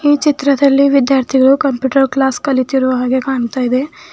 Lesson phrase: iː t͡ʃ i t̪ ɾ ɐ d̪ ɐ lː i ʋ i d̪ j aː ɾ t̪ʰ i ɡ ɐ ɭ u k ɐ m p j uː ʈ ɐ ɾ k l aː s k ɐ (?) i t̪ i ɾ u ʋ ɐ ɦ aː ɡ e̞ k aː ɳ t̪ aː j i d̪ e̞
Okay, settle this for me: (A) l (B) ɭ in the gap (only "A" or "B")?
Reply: A